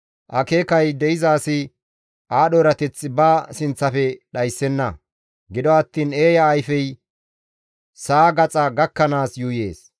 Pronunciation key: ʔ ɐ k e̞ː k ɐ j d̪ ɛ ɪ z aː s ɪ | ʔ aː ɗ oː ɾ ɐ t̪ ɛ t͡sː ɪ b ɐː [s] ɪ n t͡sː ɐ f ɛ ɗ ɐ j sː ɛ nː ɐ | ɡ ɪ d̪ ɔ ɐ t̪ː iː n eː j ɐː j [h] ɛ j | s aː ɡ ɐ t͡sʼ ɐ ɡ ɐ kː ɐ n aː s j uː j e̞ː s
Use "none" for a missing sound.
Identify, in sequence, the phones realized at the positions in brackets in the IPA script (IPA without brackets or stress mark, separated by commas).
s, f